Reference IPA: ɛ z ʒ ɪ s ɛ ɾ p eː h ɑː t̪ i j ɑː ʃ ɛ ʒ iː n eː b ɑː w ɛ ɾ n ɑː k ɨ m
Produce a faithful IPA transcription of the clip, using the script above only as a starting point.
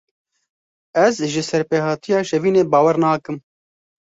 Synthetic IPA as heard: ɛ z ʒ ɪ s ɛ ɾ p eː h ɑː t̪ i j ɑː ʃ ɛ v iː n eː b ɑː w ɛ ɾ n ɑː k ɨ m